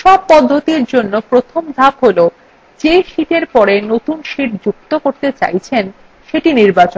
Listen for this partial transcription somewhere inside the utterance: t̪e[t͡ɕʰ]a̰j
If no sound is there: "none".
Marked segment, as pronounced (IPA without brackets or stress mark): t͡ɕ